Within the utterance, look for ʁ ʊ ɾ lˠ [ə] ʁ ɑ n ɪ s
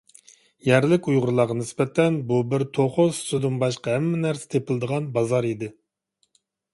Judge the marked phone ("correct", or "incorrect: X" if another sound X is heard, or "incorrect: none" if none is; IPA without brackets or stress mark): incorrect: ɑ